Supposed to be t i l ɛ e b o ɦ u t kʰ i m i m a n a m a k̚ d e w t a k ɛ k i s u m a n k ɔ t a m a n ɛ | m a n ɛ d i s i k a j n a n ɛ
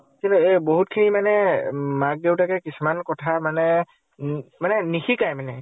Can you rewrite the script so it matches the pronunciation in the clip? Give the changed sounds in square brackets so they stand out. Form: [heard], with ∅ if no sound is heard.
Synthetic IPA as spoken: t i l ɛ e b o ɦ u t kʰ i [n] i m a n [ɛ] m a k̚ d e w t a k ɛ k i s u m a n k ɔ [tʰ] a m a n ɛ | m a n ɛ [n] i [x] i k a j [m] a n ɛ